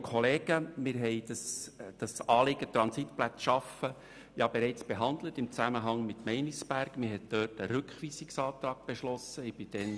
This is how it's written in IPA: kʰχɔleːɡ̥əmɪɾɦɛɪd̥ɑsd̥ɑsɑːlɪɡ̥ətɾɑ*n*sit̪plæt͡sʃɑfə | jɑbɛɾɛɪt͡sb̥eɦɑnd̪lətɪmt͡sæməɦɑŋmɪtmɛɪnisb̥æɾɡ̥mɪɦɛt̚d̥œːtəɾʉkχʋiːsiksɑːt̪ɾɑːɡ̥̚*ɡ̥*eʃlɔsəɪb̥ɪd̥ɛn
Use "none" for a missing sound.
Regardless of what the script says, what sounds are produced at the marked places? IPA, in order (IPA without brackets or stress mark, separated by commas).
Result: n, b̥